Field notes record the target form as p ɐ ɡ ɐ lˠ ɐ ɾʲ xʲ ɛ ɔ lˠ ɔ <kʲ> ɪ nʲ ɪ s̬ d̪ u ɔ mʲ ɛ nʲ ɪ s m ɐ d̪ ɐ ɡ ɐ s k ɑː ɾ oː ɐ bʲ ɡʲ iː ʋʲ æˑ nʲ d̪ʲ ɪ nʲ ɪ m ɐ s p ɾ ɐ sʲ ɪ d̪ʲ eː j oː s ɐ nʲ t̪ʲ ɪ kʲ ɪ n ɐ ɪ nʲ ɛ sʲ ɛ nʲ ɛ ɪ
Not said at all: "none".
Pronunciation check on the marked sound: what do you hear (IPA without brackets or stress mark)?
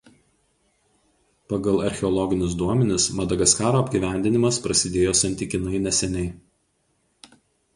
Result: ɡʲ